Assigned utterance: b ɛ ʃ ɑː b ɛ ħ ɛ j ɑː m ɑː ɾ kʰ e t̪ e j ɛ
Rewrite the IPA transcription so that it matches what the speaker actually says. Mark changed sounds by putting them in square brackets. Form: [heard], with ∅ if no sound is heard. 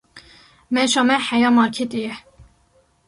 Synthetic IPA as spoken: [m] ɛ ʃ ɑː [m] ɛ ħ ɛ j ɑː m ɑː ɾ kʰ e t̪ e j ɛ